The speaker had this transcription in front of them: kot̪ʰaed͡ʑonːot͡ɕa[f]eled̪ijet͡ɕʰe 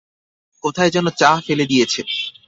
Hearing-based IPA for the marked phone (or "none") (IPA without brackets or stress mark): f